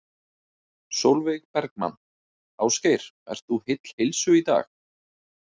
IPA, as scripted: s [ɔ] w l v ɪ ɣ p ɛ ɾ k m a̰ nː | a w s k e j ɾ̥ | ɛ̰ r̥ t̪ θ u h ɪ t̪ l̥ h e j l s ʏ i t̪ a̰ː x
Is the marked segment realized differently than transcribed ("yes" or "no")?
yes